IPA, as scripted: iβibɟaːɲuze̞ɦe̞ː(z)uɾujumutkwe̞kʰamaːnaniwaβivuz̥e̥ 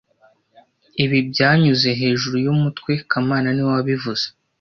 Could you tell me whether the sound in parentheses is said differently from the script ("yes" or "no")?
yes